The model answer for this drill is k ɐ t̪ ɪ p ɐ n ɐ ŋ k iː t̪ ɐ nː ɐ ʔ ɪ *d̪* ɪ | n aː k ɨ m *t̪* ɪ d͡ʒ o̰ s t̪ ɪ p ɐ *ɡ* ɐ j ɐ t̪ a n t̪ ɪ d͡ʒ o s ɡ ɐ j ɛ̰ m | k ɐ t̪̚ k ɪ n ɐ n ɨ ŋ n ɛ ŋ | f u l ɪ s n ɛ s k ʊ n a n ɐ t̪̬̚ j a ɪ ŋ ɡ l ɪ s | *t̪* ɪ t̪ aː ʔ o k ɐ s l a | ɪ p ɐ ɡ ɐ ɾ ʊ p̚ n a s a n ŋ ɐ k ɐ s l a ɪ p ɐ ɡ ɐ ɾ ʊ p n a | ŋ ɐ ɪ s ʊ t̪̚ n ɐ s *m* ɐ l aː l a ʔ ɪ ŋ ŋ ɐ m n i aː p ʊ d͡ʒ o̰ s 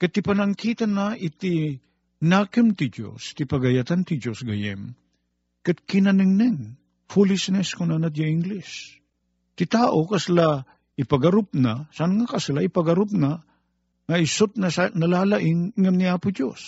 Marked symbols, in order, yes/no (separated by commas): no, yes, yes, yes, no